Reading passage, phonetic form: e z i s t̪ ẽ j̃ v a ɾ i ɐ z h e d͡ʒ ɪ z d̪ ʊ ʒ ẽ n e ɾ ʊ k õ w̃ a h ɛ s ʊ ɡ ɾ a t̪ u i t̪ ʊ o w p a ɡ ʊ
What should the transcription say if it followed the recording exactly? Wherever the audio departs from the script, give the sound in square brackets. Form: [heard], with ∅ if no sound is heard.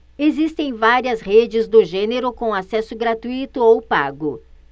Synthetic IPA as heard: e z i s t̪ ẽ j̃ v a ɾ i ɐ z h e d͡ʒ ɪ z d̪ ʊ ʒ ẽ n e ɾ ʊ k õ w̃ a [s] ɛ s ʊ ɡ ɾ a t̪ u i t̪ ʊ o w p a ɡ ʊ